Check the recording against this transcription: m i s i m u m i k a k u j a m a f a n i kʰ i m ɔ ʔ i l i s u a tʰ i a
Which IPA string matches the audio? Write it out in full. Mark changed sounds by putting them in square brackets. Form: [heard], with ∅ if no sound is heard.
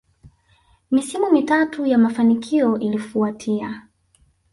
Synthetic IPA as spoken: m i s i m u m i [t] a [t] u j a m a f a n i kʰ i [∅] ɔ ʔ i l i [f] u a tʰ i a